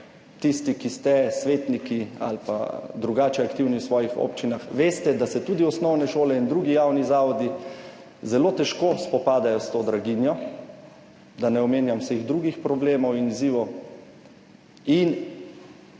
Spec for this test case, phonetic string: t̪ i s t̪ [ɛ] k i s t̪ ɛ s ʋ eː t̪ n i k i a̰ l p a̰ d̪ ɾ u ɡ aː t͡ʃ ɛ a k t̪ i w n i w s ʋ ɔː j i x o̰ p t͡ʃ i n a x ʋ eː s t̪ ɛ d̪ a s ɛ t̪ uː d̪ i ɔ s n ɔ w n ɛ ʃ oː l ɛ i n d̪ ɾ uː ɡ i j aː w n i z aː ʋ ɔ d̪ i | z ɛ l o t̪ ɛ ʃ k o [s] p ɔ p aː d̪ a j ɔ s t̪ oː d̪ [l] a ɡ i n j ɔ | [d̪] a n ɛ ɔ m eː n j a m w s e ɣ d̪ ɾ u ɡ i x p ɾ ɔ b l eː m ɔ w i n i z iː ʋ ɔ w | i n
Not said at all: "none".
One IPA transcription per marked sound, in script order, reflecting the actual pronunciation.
i, s, ɾ, d̪

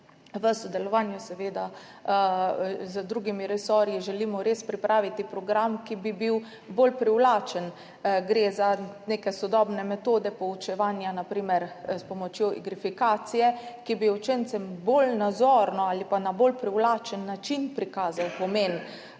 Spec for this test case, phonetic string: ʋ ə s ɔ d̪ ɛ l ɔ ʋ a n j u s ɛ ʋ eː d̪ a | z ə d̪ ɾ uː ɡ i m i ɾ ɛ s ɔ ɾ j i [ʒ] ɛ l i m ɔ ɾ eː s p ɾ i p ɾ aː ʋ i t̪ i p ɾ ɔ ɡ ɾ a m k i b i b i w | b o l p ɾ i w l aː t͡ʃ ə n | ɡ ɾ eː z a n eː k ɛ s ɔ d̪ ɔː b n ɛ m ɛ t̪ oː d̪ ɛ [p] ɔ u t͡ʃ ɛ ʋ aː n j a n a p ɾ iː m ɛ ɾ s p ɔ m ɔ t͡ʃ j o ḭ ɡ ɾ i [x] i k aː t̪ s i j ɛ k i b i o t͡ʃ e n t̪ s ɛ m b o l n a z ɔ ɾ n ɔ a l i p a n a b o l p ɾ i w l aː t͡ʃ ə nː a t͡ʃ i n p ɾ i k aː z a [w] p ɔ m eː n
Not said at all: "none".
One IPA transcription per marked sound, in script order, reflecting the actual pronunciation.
ʒ, p, f, w

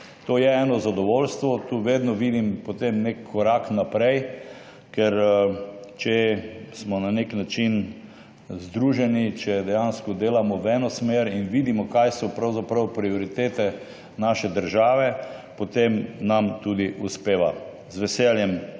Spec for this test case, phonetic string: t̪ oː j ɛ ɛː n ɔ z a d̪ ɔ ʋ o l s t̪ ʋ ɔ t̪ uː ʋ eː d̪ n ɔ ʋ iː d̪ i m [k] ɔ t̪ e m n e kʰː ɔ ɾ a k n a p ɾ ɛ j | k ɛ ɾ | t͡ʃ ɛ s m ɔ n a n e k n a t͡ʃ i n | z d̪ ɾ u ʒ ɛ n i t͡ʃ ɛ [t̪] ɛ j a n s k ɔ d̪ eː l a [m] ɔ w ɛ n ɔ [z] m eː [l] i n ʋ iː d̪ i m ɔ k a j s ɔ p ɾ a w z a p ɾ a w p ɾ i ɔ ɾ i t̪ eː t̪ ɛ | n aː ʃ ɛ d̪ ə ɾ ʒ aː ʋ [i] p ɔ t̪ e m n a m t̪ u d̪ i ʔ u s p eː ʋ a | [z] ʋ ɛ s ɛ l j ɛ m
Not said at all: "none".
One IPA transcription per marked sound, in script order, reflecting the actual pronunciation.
p, d̪, m, s, ɾ, ɛ, z

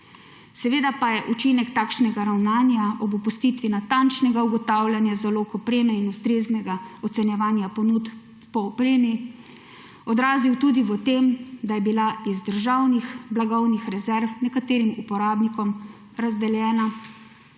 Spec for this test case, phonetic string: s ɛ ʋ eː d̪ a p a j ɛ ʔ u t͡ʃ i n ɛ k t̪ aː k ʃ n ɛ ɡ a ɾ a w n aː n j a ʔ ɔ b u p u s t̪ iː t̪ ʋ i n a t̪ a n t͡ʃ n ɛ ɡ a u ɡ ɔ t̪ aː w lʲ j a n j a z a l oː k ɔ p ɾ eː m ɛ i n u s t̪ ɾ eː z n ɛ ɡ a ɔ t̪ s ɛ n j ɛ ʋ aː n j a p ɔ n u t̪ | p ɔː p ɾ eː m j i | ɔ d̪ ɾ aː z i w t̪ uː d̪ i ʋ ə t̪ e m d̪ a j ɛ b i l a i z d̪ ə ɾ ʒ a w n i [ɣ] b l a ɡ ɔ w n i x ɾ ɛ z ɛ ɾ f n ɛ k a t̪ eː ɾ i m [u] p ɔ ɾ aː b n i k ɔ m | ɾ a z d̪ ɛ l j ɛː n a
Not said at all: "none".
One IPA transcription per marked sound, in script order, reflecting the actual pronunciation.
x, u

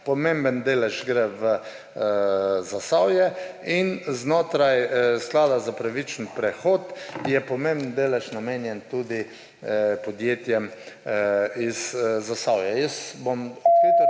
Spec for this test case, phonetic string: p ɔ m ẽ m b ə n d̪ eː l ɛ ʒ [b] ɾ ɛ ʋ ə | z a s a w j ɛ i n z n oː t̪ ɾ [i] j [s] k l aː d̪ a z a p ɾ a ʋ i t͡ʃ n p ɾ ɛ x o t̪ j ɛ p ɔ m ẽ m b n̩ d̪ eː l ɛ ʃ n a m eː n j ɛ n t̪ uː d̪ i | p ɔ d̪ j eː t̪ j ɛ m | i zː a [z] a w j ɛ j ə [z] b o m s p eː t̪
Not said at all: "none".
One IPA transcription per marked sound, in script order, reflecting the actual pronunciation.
ɡ, a, s, s, s

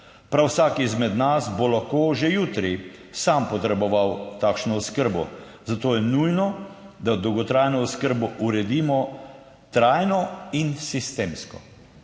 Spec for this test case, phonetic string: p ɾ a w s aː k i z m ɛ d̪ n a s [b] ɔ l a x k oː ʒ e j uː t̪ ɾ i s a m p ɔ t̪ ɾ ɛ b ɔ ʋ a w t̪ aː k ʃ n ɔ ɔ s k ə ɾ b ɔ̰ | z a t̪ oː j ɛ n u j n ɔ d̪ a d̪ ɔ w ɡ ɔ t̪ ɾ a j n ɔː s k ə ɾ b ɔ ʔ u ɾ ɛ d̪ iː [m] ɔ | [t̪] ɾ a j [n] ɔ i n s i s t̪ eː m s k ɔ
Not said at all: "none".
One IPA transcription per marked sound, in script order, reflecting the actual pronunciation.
b, m, t̪, n

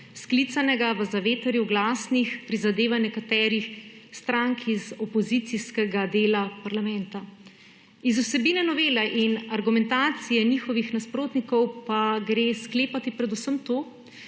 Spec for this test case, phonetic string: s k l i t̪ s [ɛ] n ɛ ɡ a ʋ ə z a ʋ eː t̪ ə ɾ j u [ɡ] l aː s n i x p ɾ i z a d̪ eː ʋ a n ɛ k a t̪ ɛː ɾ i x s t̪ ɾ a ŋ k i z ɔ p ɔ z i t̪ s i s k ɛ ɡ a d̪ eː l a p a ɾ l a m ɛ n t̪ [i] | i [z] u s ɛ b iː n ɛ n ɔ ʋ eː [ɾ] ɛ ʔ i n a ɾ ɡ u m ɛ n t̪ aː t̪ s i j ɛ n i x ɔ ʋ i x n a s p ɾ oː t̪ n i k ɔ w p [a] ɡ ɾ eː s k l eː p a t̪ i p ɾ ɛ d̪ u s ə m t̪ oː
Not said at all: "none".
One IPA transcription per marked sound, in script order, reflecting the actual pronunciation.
a, ɡ, a, z, l, a

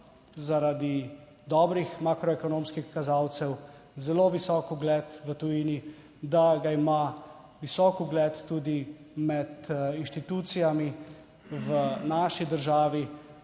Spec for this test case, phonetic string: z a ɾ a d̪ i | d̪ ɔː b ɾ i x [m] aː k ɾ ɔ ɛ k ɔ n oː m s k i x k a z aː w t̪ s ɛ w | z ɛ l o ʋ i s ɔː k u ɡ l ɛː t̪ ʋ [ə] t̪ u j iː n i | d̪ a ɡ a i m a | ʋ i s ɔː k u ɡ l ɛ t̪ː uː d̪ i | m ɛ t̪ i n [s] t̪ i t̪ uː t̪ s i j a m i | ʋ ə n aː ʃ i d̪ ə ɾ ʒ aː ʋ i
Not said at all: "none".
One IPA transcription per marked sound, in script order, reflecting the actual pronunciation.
m, ə, ʃ

